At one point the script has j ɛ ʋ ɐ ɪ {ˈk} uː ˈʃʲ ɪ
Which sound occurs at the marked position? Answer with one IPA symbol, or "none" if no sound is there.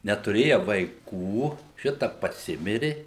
k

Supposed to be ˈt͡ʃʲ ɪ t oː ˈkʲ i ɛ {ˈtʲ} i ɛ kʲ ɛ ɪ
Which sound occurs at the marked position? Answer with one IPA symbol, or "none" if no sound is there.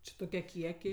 kʲ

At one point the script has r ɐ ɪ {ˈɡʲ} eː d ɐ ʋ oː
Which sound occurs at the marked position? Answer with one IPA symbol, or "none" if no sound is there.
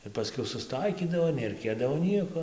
kʲ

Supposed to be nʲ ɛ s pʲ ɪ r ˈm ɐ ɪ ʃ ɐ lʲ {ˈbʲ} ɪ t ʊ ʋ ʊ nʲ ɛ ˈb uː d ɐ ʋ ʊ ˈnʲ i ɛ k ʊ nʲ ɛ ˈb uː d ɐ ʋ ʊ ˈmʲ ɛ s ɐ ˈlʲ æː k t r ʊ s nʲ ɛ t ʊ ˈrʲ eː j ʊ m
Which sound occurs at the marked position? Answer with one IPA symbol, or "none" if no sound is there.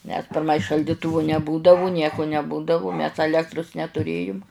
dʲ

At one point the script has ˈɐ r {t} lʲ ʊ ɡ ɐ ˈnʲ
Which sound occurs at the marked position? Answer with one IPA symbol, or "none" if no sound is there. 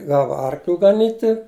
k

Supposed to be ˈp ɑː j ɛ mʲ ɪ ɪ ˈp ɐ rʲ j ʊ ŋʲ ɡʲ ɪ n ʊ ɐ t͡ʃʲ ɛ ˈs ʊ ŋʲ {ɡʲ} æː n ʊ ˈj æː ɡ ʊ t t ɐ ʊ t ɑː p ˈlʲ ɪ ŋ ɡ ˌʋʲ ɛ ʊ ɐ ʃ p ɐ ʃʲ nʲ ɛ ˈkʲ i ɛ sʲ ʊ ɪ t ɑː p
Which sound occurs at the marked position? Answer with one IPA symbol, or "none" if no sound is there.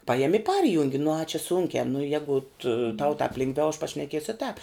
kʲ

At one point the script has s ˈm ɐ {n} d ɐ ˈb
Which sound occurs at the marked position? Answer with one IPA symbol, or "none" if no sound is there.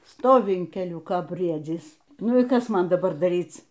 n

